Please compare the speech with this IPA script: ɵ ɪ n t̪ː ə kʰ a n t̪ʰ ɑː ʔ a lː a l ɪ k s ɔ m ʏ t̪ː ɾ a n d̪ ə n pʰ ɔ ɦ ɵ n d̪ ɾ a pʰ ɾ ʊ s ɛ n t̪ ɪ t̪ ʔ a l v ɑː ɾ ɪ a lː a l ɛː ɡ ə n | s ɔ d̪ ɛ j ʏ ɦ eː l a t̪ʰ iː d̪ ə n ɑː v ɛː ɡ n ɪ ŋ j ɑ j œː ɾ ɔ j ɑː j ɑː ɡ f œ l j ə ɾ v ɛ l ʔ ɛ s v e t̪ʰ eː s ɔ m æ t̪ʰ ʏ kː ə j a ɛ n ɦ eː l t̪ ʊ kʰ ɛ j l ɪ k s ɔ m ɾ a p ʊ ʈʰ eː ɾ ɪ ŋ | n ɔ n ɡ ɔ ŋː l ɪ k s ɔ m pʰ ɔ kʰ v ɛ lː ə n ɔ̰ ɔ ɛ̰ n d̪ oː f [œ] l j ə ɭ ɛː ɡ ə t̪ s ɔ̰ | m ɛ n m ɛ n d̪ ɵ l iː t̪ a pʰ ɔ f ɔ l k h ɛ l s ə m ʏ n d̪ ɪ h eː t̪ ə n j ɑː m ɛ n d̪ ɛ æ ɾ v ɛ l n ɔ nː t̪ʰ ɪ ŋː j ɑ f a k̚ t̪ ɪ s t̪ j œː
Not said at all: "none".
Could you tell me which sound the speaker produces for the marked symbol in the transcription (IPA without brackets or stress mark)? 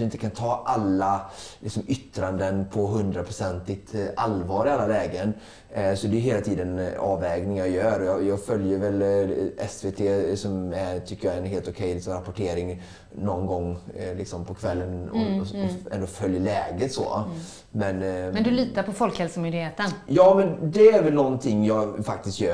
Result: œ